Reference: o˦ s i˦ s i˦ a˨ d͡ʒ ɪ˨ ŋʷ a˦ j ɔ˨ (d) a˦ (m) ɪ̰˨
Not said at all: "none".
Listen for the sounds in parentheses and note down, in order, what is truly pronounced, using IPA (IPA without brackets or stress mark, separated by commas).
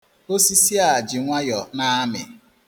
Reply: n, m